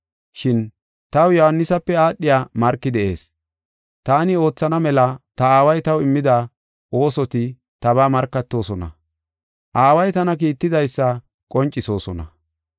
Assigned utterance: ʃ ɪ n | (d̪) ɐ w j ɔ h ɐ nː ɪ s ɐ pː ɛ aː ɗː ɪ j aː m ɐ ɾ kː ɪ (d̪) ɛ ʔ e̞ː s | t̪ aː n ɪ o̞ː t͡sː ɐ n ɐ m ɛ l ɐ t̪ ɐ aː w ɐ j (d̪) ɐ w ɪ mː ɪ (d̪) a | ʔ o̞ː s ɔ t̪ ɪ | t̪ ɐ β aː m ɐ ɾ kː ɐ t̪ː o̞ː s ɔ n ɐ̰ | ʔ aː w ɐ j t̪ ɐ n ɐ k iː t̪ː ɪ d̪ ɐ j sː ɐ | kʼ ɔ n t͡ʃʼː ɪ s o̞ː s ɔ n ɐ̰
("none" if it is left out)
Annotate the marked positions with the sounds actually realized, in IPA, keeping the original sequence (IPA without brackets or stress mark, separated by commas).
t̪, d̪, t̪, d̪